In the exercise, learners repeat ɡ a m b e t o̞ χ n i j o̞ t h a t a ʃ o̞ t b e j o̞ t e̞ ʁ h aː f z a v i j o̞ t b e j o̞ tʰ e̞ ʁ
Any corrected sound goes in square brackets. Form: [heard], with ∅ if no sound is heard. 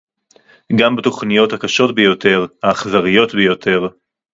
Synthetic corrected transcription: ɡ a m b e t o̞ χ n i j o̞ t h a [k] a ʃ o̞ t b e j o̞ t e̞ ʁ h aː [χ] z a [ʁ] i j o̞ t b e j o̞ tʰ e̞ ʁ